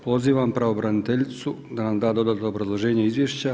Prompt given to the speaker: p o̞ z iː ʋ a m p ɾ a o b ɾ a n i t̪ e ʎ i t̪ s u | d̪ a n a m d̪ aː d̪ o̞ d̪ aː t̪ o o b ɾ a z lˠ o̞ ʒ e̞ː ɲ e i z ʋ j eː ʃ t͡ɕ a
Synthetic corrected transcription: p o̞ z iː ʋ a m p ɾ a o b ɾ a n i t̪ e ʎ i t̪ s u | d̪ a n a m d̪ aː d̪ o̞ d̪ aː t̪ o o b ɾ a z lˠ o̞ ʒ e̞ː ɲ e i z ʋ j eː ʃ t͡ɕ a